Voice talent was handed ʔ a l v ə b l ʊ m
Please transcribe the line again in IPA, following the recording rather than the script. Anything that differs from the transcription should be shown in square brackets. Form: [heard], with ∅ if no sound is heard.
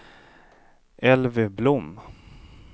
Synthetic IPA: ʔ [ɛ] l v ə b l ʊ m